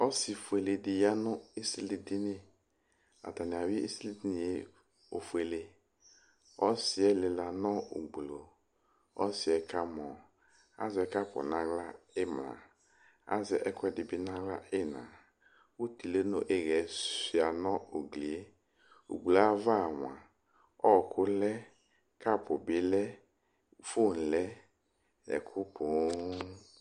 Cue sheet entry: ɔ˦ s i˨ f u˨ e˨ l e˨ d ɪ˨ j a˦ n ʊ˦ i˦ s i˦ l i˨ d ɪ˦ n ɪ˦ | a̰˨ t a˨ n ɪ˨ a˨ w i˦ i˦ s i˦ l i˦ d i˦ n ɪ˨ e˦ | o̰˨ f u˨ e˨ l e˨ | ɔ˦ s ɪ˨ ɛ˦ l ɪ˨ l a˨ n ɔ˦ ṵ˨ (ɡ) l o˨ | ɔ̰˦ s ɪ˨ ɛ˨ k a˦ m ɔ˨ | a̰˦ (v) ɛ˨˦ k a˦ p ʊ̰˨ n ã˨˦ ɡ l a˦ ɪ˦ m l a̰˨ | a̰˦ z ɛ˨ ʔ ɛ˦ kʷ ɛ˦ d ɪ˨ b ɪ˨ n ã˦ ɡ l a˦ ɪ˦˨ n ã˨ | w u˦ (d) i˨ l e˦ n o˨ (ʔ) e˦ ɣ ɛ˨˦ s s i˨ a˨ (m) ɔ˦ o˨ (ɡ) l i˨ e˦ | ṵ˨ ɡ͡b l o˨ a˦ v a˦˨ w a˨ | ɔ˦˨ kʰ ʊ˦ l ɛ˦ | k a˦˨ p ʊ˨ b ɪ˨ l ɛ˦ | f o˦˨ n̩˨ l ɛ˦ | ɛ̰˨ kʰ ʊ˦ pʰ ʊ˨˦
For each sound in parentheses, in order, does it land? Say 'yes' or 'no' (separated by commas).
no, no, no, yes, no, yes